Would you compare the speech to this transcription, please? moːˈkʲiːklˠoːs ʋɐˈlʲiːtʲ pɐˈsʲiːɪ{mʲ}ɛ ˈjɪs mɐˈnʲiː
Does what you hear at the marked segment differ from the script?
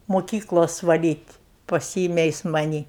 no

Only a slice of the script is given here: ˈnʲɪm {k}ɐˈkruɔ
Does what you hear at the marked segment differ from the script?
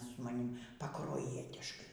yes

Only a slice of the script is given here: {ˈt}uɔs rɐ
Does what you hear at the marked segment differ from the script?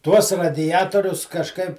no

